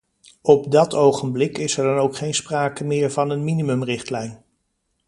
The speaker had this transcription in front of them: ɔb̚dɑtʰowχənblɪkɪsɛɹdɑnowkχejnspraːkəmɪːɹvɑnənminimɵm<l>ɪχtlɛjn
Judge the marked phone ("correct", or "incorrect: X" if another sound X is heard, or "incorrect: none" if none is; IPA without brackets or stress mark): incorrect: r